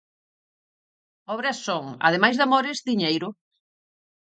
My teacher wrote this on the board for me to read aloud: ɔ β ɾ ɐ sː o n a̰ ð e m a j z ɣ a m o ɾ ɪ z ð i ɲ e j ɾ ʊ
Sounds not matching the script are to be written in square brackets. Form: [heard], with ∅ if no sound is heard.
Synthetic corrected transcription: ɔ β ɾ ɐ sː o [ŋ] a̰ ð e m a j z [ð] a m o ɾ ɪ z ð i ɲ e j ɾ ʊ